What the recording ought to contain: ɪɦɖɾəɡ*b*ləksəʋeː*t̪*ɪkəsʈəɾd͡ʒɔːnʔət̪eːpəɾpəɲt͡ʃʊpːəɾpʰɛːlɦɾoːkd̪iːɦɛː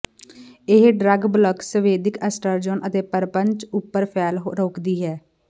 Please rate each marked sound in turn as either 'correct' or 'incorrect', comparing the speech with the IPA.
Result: correct, incorrect

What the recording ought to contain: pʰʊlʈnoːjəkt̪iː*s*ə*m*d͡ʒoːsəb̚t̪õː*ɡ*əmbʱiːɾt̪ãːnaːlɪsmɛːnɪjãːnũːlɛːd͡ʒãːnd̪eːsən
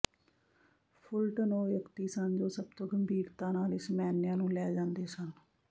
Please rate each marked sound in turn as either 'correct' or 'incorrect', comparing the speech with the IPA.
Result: correct, incorrect, correct

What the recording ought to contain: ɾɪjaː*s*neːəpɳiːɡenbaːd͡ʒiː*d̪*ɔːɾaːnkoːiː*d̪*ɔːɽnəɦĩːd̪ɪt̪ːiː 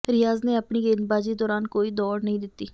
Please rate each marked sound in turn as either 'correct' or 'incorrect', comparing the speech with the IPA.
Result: incorrect, correct, correct

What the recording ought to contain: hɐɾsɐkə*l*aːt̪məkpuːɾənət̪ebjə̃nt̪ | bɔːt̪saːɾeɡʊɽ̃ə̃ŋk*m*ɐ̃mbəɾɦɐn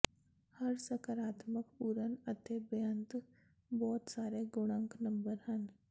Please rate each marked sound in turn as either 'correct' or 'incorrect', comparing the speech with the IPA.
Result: incorrect, incorrect

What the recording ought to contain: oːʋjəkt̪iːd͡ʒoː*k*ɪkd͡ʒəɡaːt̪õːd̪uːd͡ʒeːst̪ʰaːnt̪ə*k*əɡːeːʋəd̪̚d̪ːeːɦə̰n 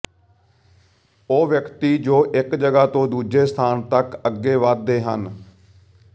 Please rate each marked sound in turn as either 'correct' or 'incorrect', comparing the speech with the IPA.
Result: incorrect, correct

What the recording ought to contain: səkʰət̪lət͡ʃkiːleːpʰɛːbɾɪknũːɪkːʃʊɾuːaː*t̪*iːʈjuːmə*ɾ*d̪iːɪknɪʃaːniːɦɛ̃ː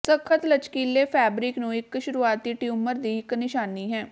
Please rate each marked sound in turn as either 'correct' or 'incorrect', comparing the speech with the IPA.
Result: correct, correct

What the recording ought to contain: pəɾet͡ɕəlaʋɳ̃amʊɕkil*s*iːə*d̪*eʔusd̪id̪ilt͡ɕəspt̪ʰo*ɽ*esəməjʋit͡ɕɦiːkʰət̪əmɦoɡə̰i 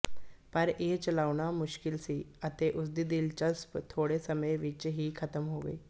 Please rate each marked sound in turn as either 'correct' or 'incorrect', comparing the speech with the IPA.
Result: correct, incorrect, correct

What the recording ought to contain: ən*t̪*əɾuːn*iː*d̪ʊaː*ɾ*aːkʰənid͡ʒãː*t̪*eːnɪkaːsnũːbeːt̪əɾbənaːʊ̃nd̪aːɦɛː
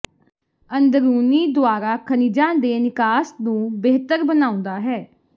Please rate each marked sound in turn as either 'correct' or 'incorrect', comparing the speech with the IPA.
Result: incorrect, correct, correct, incorrect

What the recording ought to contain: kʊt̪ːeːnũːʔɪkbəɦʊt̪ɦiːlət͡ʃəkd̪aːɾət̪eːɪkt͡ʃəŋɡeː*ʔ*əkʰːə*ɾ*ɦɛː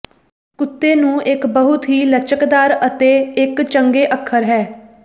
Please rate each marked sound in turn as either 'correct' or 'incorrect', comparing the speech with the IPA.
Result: correct, correct

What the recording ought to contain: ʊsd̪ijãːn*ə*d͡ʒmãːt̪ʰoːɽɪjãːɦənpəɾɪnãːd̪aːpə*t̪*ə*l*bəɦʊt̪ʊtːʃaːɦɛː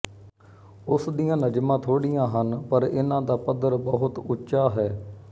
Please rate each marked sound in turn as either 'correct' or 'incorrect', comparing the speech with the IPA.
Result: correct, incorrect, incorrect

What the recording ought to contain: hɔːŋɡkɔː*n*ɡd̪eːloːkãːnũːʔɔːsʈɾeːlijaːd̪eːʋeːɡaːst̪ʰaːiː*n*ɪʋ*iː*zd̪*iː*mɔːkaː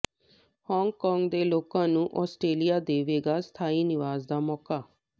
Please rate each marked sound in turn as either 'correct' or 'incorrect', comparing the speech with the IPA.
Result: incorrect, correct, incorrect, incorrect

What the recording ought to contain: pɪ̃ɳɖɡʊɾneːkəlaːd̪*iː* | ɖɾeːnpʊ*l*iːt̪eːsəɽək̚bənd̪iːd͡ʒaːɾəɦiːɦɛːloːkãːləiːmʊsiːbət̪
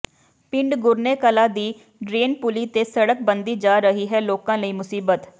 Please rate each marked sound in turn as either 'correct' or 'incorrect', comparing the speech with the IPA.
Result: correct, correct

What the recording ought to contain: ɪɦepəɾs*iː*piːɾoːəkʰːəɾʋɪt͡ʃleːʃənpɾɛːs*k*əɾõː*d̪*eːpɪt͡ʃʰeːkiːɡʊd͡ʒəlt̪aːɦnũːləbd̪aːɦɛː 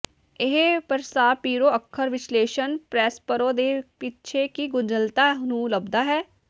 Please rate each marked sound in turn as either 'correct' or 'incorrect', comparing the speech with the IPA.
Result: incorrect, incorrect, correct

